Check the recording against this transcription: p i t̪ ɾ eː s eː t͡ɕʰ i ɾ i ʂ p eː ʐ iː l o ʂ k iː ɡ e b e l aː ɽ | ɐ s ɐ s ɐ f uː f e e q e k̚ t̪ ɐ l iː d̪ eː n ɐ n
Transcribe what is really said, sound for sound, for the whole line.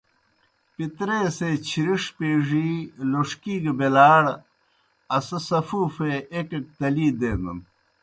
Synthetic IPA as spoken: p i t̪ ɾ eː s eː t͡ɕʰ i ɾ i ʂ p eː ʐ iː l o ʂ k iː ɡ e b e l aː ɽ | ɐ s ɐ s ɐ f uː f e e k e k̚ t̪ ɐ l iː d̪ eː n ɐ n